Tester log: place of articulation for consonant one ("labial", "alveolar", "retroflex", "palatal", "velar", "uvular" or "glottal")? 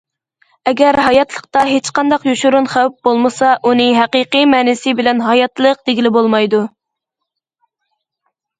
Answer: velar